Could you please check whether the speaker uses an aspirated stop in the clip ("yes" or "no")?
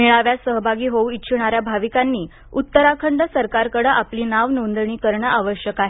yes